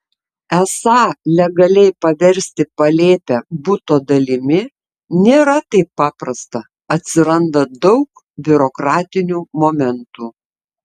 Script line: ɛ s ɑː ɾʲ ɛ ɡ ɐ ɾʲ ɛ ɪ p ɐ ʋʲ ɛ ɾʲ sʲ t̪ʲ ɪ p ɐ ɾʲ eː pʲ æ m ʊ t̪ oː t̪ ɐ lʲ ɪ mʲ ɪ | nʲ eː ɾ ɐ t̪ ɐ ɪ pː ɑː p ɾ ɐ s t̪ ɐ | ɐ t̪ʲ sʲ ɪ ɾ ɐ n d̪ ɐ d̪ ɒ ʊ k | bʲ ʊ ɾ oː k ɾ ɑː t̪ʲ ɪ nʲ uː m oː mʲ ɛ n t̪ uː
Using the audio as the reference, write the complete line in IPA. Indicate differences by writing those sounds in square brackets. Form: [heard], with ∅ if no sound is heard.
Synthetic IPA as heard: ɛ s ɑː [lʲ] ɛ ɡ ɐ [lʲ] ɛ ɪ p ɐ ʋʲ ɛ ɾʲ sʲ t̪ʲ ɪ p ɐ [lʲ] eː pʲ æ [b] ʊ t̪ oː [d̪] ɐ lʲ ɪ mʲ ɪ | nʲ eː ɾ ɐ t̪ ɐ ɪ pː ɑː p ɾ ɐ s t̪ ɐ | ɐ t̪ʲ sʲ ɪ ɾ ɐ n d̪ ɐ d̪ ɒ ʊ k | bʲ ʊ ɾ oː k ɾ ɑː t̪ʲ ɪ nʲ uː m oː mʲ ɛ n t̪ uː